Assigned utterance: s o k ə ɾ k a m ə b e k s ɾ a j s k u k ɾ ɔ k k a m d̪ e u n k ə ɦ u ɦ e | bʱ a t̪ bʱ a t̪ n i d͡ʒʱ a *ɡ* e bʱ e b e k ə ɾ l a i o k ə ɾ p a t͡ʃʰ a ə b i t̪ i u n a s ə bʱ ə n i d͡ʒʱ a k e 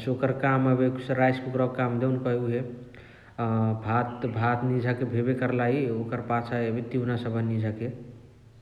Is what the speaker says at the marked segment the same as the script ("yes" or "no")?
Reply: no